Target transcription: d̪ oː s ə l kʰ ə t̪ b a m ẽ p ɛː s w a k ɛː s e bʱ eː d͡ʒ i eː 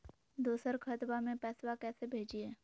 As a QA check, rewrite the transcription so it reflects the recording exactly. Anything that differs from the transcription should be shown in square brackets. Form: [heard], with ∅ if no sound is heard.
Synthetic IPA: d̪ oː s ə [ɾ] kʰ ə t̪ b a m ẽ p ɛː s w a k ɛː s e bʱ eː d͡ʒ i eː